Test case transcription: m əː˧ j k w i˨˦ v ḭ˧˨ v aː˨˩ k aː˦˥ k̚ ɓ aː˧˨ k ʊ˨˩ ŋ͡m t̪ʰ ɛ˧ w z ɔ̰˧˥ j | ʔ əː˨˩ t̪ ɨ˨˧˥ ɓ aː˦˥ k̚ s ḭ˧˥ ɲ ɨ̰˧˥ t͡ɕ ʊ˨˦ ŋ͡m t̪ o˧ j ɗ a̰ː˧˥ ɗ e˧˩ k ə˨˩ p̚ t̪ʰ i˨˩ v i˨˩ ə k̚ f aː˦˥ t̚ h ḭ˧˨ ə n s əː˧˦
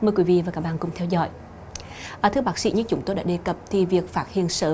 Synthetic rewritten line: m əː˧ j k w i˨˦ v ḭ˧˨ v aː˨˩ k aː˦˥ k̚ ɓ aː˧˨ k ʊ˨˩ ŋ͡m t̪ʰ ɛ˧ w z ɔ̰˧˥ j | ʔ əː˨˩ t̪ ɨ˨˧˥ ɓ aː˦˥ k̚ s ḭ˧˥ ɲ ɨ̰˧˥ t͡ɕ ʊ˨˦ ŋ͡m t̪ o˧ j ɗ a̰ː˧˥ ɗ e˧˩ k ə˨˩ p̚ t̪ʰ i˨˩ v i˨˩ ə k̚ f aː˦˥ t̚ h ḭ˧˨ ə n s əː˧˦